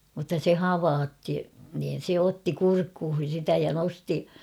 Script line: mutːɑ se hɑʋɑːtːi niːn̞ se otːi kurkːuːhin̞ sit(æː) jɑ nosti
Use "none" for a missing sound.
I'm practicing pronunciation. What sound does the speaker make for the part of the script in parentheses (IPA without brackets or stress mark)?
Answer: æ